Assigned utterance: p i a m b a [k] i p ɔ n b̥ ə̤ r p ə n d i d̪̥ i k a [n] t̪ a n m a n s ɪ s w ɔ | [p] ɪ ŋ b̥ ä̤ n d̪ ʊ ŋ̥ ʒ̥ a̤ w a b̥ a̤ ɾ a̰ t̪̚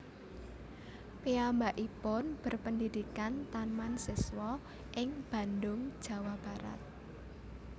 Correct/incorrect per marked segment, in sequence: incorrect: ʔ, correct, incorrect: ʔ

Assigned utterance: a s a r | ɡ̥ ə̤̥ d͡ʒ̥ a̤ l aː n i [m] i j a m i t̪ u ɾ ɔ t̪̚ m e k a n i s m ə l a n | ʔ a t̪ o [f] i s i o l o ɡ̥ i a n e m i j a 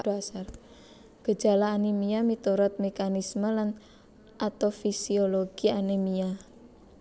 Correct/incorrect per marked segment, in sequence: correct, correct

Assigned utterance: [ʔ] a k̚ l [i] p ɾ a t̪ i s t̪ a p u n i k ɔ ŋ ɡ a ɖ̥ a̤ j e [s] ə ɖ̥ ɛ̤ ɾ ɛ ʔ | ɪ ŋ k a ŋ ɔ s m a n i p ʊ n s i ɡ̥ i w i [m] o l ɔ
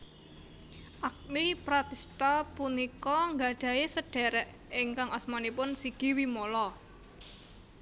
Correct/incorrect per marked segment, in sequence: correct, correct, correct, correct

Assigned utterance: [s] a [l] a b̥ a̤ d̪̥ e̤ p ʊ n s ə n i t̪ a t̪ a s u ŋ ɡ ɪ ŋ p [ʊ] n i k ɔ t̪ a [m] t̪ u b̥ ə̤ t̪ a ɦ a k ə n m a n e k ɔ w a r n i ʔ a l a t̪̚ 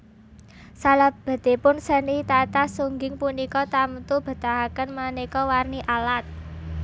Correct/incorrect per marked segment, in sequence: correct, correct, incorrect: u, correct

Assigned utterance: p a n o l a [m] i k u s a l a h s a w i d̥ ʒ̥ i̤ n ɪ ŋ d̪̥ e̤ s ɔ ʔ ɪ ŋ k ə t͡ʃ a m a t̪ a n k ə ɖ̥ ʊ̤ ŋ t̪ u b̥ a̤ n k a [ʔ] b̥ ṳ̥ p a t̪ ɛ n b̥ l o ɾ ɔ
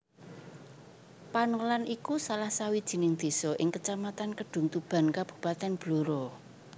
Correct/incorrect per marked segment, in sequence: incorrect: n, incorrect: none

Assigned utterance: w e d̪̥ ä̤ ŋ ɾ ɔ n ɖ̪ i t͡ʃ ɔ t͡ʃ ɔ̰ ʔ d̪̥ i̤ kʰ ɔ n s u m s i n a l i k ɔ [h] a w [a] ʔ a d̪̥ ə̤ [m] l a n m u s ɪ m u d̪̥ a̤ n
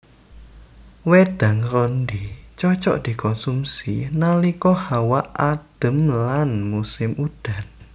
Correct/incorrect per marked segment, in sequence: correct, correct, correct

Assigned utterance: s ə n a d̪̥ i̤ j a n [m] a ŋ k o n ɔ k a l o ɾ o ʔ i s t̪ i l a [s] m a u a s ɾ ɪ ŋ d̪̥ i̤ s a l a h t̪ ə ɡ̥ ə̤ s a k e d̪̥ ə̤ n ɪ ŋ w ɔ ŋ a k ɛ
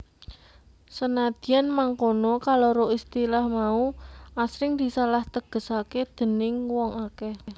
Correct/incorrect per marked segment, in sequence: correct, incorrect: h

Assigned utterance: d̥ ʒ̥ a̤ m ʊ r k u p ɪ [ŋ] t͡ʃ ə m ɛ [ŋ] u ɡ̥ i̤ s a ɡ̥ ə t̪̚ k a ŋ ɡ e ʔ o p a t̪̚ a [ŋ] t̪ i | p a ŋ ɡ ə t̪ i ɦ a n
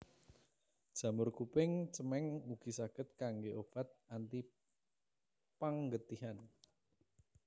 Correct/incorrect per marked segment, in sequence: correct, correct, incorrect: n

